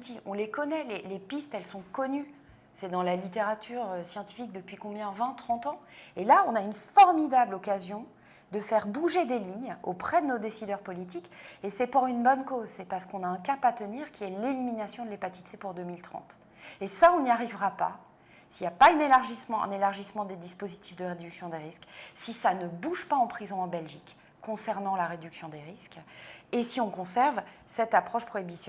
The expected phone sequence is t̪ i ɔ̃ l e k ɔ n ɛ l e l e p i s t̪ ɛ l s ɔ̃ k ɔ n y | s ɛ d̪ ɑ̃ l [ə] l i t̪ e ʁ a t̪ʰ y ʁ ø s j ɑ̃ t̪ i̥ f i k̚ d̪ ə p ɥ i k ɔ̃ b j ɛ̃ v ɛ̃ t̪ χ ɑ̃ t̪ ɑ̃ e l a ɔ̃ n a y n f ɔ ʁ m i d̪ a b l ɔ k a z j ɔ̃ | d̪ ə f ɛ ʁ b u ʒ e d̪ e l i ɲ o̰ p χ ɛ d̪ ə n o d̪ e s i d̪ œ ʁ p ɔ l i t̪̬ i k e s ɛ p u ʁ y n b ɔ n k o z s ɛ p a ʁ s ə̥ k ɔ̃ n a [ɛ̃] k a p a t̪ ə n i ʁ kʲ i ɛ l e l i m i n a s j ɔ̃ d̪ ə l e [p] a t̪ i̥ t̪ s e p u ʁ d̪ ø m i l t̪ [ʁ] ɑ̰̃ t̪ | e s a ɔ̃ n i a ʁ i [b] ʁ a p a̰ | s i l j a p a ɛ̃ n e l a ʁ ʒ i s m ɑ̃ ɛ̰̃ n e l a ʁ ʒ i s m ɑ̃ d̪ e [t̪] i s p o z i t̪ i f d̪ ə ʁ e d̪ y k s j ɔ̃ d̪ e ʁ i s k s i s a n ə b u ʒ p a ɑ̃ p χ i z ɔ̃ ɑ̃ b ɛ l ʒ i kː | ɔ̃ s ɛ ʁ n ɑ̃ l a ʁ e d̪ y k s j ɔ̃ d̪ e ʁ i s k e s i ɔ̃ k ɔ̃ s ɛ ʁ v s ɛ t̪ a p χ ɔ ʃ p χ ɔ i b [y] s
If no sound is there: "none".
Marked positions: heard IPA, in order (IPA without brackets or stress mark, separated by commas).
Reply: a, ɛ̃, p, χ, v, d̪, i